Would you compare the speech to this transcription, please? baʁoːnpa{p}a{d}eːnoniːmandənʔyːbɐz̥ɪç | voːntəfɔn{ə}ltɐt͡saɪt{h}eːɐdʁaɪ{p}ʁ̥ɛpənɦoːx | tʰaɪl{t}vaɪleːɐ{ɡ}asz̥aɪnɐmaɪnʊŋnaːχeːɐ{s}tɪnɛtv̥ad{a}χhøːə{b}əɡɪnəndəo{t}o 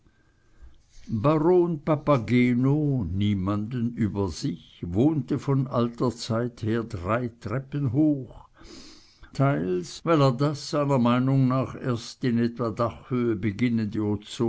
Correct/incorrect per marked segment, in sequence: correct, incorrect: ɡ, incorrect: a, correct, incorrect: t, incorrect: s, incorrect: d, correct, correct, correct, incorrect: t͡s

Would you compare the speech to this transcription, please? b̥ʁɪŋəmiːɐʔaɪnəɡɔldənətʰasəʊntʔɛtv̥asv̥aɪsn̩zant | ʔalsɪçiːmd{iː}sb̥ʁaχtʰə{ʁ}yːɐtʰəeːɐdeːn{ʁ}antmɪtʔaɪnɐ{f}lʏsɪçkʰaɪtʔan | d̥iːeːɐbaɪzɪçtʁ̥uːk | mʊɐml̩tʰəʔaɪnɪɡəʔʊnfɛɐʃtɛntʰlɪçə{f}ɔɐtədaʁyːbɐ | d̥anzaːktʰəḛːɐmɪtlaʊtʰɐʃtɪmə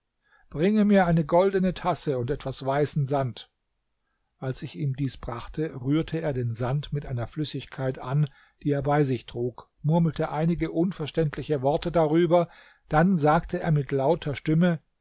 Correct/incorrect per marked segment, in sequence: correct, correct, incorrect: z, correct, incorrect: v

